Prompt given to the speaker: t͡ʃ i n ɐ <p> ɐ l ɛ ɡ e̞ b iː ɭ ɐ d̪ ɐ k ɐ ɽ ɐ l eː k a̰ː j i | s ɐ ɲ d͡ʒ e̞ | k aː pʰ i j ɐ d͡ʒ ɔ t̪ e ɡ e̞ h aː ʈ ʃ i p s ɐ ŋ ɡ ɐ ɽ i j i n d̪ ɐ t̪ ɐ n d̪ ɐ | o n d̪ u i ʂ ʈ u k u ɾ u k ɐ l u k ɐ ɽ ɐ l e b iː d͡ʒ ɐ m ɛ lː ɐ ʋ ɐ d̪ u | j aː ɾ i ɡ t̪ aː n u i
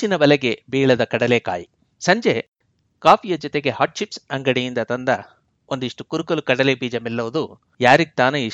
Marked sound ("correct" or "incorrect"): incorrect